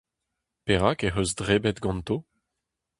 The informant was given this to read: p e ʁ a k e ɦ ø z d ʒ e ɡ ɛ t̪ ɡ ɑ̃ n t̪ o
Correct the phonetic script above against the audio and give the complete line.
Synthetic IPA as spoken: p e ʁ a k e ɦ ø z d ʁ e b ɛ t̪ ɡ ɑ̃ n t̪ o